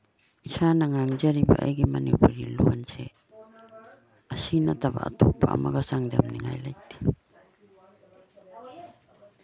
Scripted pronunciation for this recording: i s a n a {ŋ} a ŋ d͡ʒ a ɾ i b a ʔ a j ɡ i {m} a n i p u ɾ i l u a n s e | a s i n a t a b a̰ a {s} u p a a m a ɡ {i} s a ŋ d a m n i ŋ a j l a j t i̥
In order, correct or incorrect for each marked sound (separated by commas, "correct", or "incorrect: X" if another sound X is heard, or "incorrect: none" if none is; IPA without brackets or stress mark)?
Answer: correct, correct, incorrect: t, incorrect: a